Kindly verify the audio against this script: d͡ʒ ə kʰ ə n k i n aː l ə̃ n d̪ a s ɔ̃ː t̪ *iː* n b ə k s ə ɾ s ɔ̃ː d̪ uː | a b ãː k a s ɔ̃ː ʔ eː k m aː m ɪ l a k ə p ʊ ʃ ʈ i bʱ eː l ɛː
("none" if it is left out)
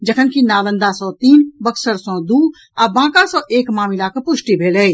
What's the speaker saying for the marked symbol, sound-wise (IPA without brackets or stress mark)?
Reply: iː